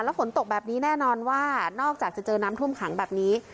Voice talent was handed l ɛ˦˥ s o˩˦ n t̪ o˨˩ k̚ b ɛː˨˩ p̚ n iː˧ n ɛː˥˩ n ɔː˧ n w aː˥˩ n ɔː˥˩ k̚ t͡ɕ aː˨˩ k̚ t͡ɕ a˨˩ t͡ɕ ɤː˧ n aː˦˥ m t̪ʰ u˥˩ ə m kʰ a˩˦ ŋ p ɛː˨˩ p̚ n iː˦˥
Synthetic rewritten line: l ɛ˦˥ f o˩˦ n t̪ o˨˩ k̚ b ɛː˨˩ p̚ n iː˦˥ n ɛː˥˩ n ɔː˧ n w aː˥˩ n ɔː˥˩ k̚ t͡ɕ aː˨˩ k̚ t͡ɕ a˨˩ t͡ɕ ɤː˧ n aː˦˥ m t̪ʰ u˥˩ ə m kʰ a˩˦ ŋ b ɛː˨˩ p̚ n iː˦˥

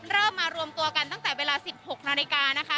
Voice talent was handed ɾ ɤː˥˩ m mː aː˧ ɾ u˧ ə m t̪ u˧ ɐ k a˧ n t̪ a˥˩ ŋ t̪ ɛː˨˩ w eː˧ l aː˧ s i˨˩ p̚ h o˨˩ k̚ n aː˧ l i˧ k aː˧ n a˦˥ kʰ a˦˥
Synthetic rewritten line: ɾ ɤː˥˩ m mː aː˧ ɾ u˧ ə m t̪ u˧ ɐ k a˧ n t̪ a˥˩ ŋ t̪ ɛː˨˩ w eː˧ l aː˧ s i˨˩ p̚ h o˨˩ k̚ n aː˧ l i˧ k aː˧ n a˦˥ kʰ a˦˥

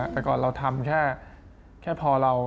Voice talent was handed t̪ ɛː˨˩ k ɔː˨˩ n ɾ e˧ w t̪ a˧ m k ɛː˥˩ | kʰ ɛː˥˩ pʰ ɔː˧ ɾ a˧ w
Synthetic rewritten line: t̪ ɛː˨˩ k ɔː˨˩ n ɾ a˧ w t̪ʰ a˧ m kʰ ɛː˥˩ | kʰ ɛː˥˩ pʰ ɔː˧ ɾ a˧ w

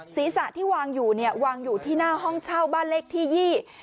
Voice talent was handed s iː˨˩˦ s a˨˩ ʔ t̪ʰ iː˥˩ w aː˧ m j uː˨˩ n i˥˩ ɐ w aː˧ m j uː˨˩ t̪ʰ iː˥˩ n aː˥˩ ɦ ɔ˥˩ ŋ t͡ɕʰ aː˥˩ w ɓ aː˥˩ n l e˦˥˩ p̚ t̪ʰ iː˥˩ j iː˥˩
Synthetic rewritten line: s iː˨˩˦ s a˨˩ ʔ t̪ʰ iː˥˩ w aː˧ ŋ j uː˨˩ n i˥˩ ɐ w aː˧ ŋ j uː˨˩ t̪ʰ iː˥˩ n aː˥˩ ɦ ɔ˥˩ ŋ t͡ɕʰ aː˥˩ w b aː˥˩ n l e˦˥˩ k̚ t̪ʰ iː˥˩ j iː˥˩

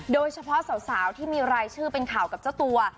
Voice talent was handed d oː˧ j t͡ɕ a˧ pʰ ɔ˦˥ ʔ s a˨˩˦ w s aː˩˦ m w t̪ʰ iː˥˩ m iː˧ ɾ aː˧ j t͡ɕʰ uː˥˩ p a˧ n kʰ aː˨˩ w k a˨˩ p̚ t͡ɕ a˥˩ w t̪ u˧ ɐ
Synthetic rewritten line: d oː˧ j t͡ɕʰ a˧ pʰ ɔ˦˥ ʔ s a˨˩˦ w s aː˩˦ w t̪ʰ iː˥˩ m iː˧ ɾ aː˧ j t͡ɕʰ ɯː˥˩ p e˧ n kʰ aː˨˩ w k a˨˩ p̚ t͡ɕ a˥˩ w t̪ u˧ ɐ

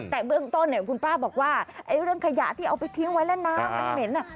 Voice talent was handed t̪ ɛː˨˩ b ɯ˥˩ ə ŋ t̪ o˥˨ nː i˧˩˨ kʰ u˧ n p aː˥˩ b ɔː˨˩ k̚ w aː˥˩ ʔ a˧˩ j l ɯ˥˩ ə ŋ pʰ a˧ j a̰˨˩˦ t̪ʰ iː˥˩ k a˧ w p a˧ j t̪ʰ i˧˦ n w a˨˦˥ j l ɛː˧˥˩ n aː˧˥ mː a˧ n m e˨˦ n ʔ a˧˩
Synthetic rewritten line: t̪ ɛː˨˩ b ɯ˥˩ ə ŋ t̪ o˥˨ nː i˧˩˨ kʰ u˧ n p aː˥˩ b ɔː˨˩ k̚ w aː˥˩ ʔ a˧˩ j ɾ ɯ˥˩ ə ŋ kʰ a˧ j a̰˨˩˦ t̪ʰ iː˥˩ ʔ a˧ w p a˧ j t̪ʰ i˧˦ ŋ w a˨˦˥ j l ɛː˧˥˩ n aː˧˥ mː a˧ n m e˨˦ n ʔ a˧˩

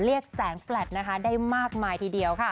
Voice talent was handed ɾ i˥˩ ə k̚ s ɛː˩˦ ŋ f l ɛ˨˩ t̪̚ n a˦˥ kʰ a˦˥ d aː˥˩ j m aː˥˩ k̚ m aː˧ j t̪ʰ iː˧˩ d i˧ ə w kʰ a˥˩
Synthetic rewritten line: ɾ i˥˩ ə k̚ s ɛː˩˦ ŋ f l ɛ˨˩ t̪̚ n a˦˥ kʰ a˦˥ d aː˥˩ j m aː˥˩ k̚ m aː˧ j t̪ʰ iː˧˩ d i˧ ə w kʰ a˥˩

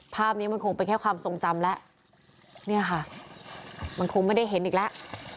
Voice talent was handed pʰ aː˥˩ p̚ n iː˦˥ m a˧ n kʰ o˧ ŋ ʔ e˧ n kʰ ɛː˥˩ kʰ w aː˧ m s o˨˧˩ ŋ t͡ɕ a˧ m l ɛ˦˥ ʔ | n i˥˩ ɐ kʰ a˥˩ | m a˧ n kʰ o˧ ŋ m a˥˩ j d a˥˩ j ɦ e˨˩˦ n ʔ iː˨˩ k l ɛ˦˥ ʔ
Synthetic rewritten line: pʰ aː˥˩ p̚ n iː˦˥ m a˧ n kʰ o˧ ŋ p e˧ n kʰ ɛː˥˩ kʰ w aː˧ m s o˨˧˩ ŋ t͡ɕ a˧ m l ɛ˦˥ ʔ | n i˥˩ ɐ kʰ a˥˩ | m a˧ n kʰ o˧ ŋ m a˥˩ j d a˥˩ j ɦ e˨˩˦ n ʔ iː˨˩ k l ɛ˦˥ ʔ

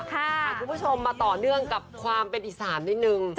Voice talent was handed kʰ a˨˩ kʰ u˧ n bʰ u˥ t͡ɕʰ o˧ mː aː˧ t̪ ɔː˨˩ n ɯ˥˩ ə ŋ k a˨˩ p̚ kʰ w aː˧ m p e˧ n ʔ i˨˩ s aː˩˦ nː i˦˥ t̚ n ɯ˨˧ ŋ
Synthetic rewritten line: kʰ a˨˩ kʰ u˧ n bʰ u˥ t͡ɕʰ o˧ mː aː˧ t̪ ɔː˨˩ n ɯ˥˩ ə ŋ k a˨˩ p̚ kʰ w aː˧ m p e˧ n ʔ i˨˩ s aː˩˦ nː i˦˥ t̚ n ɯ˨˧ ŋ

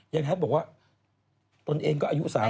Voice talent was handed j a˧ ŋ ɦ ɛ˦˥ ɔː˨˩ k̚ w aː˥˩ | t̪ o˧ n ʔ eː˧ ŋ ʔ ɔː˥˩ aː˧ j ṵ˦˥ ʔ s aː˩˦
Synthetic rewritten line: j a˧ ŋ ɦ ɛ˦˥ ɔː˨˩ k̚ w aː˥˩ | t̪ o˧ n ʔ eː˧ ŋ k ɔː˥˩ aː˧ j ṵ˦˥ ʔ s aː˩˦

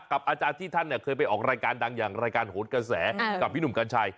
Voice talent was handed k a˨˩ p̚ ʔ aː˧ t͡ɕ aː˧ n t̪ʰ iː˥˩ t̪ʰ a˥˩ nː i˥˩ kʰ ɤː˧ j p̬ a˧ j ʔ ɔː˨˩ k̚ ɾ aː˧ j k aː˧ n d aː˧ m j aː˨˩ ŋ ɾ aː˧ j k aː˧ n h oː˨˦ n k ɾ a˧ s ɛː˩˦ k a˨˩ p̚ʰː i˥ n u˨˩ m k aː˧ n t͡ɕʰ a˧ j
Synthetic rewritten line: k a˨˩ p̚ ʔ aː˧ t͡ɕ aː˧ n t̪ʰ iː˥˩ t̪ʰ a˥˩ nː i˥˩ kʰ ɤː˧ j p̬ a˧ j ʔ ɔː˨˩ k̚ ɾ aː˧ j k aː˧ n d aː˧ ŋ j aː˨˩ ŋ ɾ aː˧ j k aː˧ n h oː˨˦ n k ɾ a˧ s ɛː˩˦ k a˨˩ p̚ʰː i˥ n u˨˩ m k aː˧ n t͡ɕʰ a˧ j

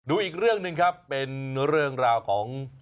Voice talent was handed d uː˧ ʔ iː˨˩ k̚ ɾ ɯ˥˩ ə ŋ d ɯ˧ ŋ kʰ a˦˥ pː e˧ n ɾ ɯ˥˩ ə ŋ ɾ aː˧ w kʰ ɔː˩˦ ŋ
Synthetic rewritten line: d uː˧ ʔ iː˨˩ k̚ ɾ ɯ˥˩ ə ŋ n ɯ˧ ŋ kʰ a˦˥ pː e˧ n ɾ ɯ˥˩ ə ŋ ɾ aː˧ w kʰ ɔː˩˦ ŋ

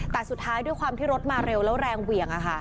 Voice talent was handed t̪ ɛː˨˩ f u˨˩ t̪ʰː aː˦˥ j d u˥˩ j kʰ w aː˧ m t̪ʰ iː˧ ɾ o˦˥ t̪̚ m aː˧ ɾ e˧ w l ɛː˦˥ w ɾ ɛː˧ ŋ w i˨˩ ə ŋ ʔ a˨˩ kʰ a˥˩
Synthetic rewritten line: t̪ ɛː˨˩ s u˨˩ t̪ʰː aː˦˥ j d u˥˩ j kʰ w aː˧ m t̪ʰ iː˥˩ ɾ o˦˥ t̪̚ m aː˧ ɾ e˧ w l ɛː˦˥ w ɾ ɛː˧ ŋ w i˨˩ ə ŋ ʔ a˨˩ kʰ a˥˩

